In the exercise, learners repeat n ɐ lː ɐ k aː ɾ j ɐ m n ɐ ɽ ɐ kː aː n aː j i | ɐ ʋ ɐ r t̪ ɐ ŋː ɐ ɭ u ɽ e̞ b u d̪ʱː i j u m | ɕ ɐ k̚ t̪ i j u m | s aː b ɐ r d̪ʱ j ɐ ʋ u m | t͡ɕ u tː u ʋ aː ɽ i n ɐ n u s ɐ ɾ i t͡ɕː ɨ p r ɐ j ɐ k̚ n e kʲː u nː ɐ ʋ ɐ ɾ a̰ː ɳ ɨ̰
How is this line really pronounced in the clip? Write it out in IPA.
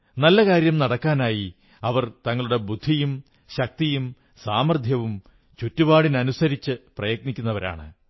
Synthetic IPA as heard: n ɐ lː ɐ k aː ɾ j ɐ m n ɐ ɽ ɐ kː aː n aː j i | ɐ ʋ ɐ r t̪ ɐ ŋː ɐ ɭ u ɽ e̞ b u d̪ʱː i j u m | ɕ ɐ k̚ t̪ i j u m | s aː m ɐ r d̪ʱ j ɐ ʋ u m | t͡ɕ u tː u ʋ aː ɽ i n ɐ n u s ɐ ɾ i t͡ɕː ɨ p r ɐ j ɐ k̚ n i kʲː u nː ɐ ʋ ɐ ɾ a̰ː ɳ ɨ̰